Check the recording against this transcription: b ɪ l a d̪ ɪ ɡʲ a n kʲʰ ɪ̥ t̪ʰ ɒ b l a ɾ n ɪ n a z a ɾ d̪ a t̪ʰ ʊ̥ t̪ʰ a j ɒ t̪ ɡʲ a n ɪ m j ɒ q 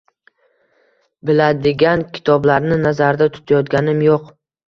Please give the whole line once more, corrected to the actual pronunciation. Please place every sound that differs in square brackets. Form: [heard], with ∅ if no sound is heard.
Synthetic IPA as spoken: b ɪ l a d̪ ɪ ɡʲ a n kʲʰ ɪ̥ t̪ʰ ɒ b l a ɾ n ɪ n a z a ɾ d̪ a t̪ʰ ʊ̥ t̪ʰ a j ɒ t̪ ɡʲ a n ɪ m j [o] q